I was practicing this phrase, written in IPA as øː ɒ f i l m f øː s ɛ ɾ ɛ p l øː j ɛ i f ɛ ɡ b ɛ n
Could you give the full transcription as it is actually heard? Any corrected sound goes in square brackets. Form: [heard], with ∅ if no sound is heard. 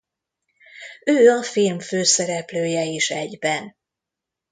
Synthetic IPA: øː ɒ f i l m f øː s ɛ ɾ ɛ p l øː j ɛ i [ʃ] ɛ [ɟ] b ɛ n